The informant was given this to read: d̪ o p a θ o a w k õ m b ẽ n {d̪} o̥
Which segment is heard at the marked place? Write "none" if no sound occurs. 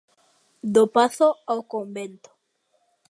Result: t̪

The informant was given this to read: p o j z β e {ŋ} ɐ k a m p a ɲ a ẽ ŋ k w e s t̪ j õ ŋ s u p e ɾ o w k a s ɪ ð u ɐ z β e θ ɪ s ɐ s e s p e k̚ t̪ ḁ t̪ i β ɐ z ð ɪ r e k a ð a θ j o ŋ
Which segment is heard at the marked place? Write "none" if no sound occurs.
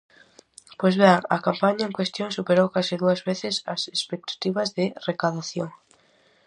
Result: ŋ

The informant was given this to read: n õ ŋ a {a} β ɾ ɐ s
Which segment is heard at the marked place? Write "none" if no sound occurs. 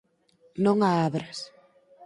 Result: a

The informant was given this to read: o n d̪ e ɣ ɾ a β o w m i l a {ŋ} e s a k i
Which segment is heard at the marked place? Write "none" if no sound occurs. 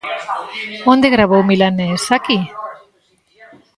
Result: n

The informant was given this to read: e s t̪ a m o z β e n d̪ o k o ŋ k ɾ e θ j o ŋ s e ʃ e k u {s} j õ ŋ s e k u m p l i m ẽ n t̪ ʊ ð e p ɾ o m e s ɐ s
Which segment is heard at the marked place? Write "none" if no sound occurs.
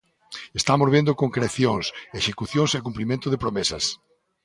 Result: θ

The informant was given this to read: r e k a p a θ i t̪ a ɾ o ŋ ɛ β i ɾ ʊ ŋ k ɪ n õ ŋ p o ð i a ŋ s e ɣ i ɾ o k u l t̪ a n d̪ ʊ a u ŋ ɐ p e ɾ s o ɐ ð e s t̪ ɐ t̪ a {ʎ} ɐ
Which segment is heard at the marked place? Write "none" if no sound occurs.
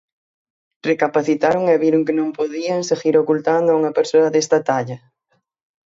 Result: ʎ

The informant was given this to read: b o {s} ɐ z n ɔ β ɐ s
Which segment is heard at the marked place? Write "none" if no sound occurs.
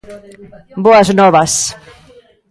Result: none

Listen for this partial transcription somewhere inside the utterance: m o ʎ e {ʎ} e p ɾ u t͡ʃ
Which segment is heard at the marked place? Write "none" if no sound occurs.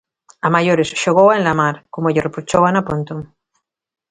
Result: r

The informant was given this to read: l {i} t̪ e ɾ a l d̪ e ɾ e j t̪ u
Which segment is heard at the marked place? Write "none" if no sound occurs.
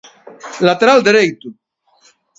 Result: a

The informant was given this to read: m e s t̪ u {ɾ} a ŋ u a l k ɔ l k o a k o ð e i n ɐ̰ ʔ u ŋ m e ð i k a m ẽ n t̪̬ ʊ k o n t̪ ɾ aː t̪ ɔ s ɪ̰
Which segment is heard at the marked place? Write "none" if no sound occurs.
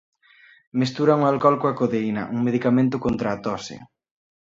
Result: ɾ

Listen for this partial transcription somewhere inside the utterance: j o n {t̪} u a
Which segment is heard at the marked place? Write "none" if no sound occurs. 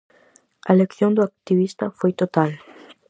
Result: d̪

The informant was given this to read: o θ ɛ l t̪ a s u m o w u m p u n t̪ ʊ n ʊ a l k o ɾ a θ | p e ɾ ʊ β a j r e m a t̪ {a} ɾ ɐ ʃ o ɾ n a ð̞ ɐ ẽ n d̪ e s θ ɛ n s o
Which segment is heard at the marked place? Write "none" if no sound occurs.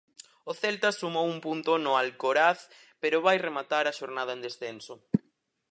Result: a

